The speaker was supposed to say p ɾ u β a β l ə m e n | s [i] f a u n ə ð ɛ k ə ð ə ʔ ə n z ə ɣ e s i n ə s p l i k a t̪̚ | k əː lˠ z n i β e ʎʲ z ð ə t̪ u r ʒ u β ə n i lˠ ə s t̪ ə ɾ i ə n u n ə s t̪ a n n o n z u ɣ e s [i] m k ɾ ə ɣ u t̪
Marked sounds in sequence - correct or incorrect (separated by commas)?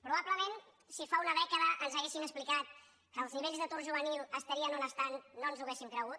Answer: correct, correct